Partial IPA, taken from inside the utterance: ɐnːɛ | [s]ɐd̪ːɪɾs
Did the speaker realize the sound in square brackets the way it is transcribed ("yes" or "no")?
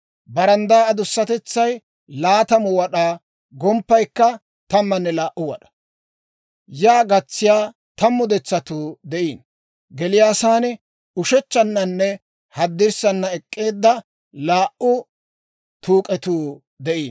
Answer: no